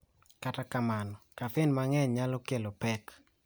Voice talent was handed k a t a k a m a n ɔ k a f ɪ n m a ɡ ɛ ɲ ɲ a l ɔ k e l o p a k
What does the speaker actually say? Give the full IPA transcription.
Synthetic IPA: k a t a k a m a n ɔ k a f ɪ n m a ŋ ɛ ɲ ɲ a l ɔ k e l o p ɛ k